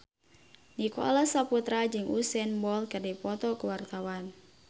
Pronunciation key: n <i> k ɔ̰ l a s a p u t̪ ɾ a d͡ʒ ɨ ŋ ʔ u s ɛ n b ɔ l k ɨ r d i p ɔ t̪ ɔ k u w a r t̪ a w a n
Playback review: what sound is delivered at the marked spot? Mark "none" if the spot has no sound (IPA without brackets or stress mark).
i